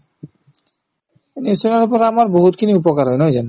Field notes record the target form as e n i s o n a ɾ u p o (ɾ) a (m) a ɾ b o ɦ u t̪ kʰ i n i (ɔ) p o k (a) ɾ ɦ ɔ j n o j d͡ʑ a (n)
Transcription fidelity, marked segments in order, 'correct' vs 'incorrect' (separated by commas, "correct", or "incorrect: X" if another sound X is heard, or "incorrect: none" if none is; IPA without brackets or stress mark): correct, correct, incorrect: u, correct, correct